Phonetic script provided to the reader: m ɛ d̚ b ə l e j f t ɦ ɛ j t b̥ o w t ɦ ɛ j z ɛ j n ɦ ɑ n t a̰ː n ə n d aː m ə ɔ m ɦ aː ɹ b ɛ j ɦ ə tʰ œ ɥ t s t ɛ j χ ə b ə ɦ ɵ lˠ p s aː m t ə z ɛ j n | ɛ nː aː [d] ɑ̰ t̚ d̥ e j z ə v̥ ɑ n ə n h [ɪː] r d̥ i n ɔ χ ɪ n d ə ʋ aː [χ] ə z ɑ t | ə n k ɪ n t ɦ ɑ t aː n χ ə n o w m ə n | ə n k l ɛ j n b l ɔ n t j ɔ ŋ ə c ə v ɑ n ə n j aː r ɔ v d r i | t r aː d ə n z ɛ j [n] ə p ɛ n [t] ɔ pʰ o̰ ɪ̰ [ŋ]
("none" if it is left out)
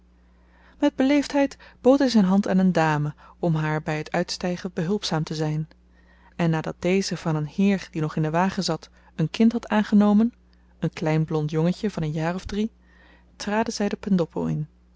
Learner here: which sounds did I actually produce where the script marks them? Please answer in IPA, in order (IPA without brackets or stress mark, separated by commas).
d, ɪː, χ, d, d, n